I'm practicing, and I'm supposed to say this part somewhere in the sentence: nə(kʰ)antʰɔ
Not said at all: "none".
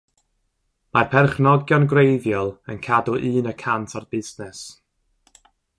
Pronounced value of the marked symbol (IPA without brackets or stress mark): kʰ